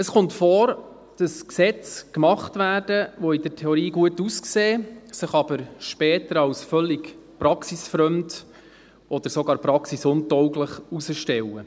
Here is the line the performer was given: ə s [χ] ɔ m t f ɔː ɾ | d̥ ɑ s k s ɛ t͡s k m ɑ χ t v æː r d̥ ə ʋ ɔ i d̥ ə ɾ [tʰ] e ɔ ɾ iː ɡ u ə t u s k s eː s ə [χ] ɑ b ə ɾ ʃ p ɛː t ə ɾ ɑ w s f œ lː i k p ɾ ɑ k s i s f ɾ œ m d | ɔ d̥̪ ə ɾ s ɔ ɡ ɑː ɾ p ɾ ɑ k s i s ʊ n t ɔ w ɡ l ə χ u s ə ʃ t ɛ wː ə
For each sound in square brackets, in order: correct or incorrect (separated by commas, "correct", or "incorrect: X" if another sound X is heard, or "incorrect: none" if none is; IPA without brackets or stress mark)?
correct, correct, correct